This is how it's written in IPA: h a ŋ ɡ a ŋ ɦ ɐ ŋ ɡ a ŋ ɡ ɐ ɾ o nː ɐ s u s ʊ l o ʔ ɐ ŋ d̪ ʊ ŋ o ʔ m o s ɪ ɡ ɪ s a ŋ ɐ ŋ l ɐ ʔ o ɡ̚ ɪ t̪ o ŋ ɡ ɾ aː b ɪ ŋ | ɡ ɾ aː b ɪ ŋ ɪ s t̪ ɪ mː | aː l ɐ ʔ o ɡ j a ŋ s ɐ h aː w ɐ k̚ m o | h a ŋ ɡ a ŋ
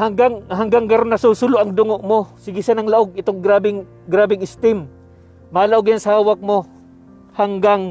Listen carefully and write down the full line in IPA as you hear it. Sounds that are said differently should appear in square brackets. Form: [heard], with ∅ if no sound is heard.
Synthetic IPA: h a ŋ ɡ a ŋ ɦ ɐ ŋ ɡ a ŋ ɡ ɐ ɾ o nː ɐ s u s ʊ l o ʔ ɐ ŋ d̪ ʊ ŋ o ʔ m o s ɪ ɡ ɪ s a [n] ɐ ŋ l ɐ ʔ o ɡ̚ ɪ t̪ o ŋ ɡ ɾ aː b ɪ ŋ | ɡ ɾ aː b ɪ ŋ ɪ s t̪ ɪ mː | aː l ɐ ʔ o ɡ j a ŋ s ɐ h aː w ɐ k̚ m o | h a ŋ ɡ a ŋ